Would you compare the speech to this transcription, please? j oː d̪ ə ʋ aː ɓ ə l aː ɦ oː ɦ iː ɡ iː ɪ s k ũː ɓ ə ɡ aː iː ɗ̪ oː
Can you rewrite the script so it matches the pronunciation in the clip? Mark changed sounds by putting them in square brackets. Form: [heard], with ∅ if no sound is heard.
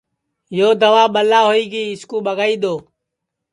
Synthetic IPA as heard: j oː d̪ ə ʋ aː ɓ ə l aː ɦ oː [∅] iː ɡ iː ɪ s k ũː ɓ ə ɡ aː iː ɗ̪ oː